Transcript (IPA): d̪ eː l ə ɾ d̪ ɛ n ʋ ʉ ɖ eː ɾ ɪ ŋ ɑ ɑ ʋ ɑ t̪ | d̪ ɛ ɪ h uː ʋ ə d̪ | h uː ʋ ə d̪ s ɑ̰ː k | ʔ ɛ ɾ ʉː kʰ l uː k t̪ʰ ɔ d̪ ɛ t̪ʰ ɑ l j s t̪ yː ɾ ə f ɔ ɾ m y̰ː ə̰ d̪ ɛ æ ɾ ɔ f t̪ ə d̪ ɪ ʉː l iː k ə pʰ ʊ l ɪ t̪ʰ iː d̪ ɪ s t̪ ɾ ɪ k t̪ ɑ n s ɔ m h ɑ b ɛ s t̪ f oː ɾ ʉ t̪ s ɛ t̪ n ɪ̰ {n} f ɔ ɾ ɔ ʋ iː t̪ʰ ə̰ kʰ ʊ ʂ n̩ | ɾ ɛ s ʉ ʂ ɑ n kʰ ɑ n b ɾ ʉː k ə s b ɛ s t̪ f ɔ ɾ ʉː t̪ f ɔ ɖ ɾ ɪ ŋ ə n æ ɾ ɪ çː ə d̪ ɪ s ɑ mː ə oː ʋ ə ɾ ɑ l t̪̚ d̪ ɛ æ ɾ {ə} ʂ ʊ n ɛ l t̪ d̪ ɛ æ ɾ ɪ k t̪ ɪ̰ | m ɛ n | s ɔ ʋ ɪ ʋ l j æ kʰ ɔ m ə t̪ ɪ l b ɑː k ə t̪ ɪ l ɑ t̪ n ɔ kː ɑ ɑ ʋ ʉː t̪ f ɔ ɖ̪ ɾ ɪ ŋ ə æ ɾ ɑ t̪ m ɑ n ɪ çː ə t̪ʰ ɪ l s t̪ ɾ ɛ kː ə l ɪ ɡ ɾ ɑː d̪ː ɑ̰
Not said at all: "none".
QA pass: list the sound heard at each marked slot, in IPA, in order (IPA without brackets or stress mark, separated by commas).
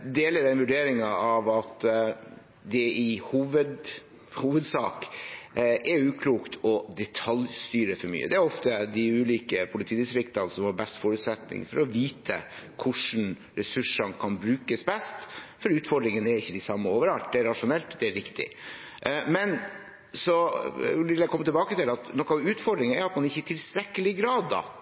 ŋ, ɑ